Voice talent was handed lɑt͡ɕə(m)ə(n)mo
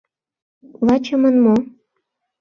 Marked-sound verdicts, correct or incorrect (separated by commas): correct, correct